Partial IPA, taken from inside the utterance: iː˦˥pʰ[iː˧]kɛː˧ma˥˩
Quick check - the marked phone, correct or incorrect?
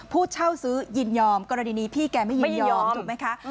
incorrect